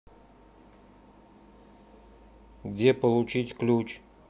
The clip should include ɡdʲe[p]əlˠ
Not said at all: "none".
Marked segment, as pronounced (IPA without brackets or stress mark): p